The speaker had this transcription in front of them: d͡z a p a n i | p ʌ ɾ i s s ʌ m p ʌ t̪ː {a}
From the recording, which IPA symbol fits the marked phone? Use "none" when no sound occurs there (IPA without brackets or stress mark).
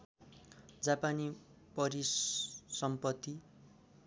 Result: i